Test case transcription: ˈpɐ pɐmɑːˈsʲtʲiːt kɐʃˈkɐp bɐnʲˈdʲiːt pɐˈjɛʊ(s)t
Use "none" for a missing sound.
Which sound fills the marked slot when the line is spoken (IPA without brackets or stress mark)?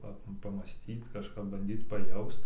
s